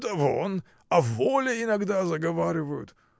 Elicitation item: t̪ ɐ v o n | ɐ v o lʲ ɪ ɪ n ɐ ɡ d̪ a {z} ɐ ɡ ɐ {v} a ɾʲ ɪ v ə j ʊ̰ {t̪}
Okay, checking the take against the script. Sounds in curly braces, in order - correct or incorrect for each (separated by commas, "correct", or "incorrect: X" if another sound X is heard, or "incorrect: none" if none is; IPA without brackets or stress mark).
correct, correct, correct